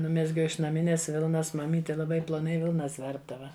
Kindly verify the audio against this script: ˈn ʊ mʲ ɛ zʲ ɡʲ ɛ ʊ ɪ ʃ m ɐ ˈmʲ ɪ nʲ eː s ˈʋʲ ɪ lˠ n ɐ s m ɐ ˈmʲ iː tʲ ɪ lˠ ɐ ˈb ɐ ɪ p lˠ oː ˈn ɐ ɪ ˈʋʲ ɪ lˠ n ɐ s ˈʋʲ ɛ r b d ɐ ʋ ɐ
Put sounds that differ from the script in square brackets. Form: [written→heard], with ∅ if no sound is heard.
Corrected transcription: ˈn ʊ mʲ ɛ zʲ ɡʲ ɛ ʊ ɪ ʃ [m→n] ɐ ˈmʲ ɪ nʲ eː s ˈʋʲ ɪ lˠ n ɐ s m ɐ ˈmʲ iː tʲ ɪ lˠ ɐ ˈb ɐ ɪ p lˠ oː ˈn ɐ ɪ ˈʋʲ ɪ lˠ n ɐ s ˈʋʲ ɛ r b d ɐ ʋ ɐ